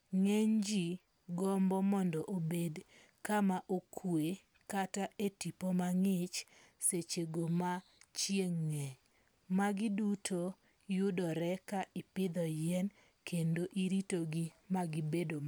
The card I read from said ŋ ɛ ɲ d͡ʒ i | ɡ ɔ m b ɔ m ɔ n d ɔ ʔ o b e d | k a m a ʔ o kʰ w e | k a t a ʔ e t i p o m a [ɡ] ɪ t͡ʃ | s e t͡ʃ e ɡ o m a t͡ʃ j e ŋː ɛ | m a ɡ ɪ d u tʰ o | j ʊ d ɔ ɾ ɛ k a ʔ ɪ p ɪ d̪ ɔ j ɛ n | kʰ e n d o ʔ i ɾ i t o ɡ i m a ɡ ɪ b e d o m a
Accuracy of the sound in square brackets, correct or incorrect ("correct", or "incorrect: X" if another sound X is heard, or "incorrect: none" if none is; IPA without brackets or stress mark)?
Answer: incorrect: ŋ